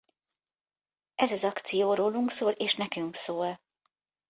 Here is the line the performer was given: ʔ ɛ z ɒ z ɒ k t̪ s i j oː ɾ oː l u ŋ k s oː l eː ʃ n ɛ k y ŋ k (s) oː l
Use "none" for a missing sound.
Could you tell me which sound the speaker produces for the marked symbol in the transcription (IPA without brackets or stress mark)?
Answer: s